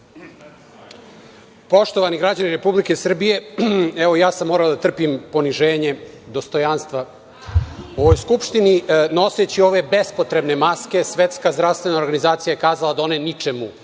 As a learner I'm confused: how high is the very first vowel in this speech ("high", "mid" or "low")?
mid